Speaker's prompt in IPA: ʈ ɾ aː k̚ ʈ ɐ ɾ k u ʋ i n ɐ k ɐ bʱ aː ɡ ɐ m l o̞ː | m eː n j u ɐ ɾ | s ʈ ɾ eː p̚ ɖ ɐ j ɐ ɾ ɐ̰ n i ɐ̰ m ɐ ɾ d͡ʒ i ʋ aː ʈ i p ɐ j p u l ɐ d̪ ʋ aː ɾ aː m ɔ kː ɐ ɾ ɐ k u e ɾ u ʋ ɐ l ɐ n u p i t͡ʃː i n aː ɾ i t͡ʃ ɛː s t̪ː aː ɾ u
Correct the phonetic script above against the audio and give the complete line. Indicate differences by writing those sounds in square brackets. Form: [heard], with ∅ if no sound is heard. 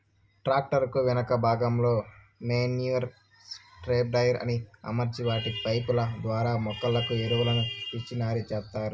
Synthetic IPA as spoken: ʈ ɾ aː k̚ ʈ ɐ ɾ k u ʋ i n ɐ k ɐ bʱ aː ɡ ɐ m l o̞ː | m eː n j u ɐ ɾ | s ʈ ɾ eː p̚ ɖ ɐ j ɐ ɾ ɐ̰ n i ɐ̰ m ɐ ɾ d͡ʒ i ʋ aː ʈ i p ɐ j p u l ɐ d̪ ʋ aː ɾ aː m ɔ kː ɐ [l] ɐ k u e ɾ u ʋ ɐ l ɐ n u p i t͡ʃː i n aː ɾ i t͡ʃ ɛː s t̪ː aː ɾ u